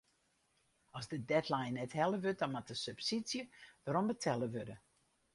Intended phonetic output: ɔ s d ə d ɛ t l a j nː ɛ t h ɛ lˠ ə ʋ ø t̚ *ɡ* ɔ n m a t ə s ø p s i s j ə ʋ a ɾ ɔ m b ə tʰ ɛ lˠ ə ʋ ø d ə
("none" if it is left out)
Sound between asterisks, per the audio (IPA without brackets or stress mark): d